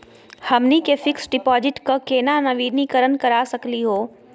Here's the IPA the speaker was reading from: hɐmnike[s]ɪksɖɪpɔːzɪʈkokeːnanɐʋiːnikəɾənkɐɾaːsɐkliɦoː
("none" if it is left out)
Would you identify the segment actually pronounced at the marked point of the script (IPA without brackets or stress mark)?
f